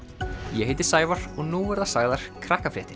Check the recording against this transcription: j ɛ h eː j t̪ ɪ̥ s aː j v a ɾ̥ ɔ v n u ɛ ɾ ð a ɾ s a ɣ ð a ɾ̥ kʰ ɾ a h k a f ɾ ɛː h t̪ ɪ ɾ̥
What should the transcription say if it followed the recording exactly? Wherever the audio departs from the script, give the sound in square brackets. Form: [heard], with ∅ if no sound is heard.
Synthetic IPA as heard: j ɛ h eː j t̪ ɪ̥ s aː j v a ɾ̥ ɔ [ɣ] n u ɛ ɾ ð a [∅] s a ɣ ð a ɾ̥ kʰ ɾ a h k a f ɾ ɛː h t̪ ɪ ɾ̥